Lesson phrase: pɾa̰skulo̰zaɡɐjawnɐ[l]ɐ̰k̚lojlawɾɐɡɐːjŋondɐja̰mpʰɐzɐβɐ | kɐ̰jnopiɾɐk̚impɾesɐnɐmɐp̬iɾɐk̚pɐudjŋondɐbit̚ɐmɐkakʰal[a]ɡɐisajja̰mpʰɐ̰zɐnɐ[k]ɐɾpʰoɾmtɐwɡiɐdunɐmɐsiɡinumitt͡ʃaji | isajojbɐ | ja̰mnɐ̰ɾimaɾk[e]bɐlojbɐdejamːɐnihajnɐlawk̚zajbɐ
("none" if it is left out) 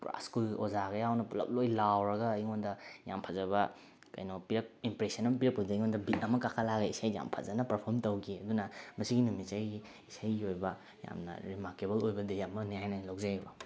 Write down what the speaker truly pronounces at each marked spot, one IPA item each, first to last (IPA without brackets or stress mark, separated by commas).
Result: l, a, p, e